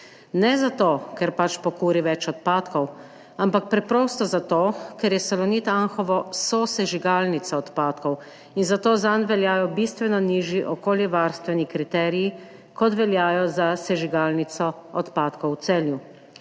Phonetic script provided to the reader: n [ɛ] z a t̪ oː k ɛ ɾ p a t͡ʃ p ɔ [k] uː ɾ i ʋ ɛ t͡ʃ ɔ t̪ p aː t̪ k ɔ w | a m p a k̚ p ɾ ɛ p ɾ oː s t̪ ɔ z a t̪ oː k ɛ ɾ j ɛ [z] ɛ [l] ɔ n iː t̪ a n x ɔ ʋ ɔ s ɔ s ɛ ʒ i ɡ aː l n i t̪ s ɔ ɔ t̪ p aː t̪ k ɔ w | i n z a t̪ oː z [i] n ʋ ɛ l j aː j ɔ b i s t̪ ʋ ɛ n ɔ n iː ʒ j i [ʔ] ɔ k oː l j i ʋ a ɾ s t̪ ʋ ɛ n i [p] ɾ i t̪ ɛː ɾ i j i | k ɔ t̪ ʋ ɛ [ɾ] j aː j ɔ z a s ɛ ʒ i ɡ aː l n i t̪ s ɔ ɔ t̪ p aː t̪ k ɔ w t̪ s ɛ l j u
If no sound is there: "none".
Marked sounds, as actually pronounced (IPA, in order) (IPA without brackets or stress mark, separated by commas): ɛ, k, s, l, a, ʔ, k, l